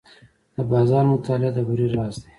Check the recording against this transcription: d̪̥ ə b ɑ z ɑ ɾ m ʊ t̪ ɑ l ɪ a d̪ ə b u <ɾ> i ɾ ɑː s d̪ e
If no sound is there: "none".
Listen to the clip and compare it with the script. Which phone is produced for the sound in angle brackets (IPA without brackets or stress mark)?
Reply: ɾ